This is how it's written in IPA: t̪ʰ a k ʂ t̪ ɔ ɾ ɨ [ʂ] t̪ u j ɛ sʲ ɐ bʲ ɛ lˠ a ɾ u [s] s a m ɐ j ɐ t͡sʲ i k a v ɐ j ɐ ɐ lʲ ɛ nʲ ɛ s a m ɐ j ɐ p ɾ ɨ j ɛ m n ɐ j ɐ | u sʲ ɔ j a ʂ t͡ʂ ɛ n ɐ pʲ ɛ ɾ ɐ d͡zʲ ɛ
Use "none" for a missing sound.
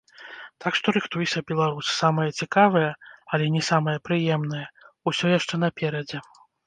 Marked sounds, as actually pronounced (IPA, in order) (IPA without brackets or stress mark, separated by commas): x, s